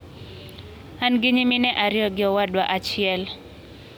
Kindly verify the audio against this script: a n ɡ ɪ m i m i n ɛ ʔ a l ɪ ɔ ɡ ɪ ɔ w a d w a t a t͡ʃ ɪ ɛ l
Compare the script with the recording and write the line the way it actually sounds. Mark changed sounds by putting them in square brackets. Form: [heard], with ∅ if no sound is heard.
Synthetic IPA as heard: a n ɡ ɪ [ɲ] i m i n ɛ ʔ a [ɾ] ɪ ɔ ɡ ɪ ɔ w a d w a [ʔ] a t͡ʃ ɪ ɛ l